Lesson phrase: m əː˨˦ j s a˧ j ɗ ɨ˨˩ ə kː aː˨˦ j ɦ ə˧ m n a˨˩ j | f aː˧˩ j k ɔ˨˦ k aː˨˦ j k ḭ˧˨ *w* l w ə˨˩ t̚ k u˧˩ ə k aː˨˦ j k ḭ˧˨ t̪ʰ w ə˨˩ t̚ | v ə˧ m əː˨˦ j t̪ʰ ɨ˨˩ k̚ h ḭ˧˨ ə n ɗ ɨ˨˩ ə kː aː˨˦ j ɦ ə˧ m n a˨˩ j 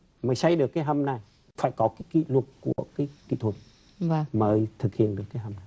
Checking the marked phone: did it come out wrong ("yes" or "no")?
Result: yes